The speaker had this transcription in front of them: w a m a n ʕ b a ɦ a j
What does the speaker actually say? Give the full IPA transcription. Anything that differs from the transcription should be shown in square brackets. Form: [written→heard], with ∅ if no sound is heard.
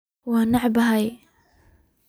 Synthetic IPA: w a [m→n] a [n→∅] ʕ b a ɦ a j

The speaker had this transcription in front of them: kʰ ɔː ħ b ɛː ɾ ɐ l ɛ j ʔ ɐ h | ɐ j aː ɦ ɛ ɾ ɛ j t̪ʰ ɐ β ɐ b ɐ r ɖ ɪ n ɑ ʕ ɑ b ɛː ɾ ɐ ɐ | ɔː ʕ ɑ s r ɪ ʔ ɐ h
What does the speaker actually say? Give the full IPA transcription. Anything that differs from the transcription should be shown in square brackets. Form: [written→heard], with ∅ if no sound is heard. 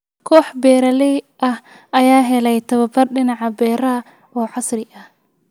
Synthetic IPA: kʰ ɔː ħ b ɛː ɾ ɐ l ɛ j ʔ ɐ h | ɐ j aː ɦ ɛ [ɾ→l] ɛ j t̪ʰ ɐ β ɐ b ɐ r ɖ ɪ n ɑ ʕ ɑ b ɛː ɾ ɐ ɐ | ɔː ʕ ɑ s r ɪ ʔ ɐ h

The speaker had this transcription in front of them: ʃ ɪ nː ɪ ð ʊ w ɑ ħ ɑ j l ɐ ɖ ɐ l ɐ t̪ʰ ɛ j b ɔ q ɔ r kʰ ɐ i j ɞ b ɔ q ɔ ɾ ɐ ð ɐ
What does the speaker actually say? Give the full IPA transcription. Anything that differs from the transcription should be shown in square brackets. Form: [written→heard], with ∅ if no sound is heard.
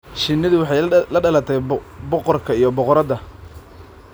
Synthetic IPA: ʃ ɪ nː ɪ ð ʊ w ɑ ħ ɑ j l ɐ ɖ ɐ l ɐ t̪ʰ ɛ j b ɔ q ɔ r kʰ ɐ i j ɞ b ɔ q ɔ ɾ ɐ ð ɐ

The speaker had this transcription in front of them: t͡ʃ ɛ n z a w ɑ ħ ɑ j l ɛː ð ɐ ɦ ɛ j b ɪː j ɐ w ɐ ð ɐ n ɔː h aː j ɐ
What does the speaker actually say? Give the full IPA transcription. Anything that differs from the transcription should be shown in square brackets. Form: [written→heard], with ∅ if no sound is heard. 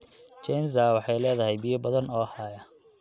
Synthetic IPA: t͡ʃ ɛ n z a w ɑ ħ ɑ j l ɛː ð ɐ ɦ ɛ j b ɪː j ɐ [w→b] ɐ ð ɐ n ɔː h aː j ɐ

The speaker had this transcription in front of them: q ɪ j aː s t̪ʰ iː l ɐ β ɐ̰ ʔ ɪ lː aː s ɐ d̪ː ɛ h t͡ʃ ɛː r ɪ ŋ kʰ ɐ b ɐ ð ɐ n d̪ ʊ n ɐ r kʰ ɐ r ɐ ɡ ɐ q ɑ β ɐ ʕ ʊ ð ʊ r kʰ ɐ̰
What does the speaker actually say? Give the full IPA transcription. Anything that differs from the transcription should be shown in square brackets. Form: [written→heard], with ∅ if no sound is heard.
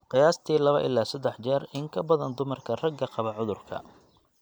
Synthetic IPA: q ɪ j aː s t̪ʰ iː l ɐ β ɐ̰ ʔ ɪ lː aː s ɐ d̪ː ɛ [h→ħ] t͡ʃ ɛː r ɪ ŋ kʰ ɐ b ɐ ð ɐ n d̪ ʊ [n→m] ɐ r kʰ ɐ r ɐ ɡ ɐ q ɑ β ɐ ʕ ʊ ð ʊ r kʰ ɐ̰

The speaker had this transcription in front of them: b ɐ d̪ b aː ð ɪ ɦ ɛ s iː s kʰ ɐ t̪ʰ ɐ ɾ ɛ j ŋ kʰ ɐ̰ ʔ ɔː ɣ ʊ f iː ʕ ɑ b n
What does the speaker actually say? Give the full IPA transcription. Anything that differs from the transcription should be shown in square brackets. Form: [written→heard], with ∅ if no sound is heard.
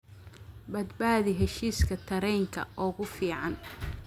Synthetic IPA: b ɐ d̪ b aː ð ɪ ɦ ɛ [s→ʃ] iː s kʰ ɐ t̪ʰ ɐ ɾ ɛ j ŋ kʰ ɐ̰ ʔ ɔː ɣ ʊ f iː ʕ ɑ [b→∅] n

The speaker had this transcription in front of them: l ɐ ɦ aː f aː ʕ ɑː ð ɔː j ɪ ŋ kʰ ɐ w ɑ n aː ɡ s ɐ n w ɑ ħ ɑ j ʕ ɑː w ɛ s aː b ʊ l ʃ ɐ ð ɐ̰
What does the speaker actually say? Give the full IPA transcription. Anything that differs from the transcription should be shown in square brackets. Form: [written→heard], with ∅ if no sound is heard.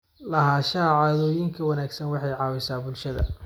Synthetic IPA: l ɐ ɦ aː [f→ʃ] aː ʕ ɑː ð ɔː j ɪ ŋ kʰ ɐ w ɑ n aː ɡ s ɐ n w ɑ ħ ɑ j ʕ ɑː w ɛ s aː b ʊ l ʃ ɐ ð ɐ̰

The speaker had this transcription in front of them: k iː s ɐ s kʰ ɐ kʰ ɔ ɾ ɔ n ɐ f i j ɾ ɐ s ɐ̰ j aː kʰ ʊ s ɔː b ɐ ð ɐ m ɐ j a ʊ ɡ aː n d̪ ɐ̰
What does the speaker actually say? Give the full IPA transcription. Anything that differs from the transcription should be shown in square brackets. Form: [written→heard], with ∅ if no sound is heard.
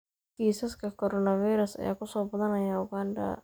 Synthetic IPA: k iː s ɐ s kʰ ɐ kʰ ɔ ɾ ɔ n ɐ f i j ɾ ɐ s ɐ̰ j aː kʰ ʊ s ɔː b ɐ ð ɐ [m→n] ɐ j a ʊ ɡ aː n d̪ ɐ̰

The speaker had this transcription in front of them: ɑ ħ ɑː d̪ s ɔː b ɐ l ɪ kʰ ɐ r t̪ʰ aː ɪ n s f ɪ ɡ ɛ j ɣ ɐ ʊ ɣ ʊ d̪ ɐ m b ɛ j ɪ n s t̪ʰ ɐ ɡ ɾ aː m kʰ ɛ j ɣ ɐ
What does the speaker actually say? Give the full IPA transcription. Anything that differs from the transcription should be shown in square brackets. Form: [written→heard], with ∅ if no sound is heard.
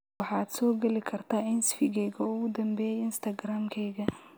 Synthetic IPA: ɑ ħ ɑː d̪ s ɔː [b→ɡ] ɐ l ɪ kʰ ɐ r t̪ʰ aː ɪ n s f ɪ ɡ ɛ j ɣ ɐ ʊ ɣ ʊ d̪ ɐ m b ɛ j ɪ n s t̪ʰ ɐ ɡ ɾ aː m kʰ ɛ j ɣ ɐ

